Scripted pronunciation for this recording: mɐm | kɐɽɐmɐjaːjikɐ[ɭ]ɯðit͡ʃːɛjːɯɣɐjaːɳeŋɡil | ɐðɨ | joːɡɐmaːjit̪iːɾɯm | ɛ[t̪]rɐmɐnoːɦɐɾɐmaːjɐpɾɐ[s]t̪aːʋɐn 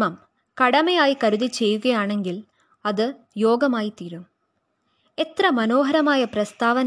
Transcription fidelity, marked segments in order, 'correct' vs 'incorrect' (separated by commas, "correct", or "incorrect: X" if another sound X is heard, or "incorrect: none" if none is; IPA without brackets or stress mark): incorrect: ɾ, correct, correct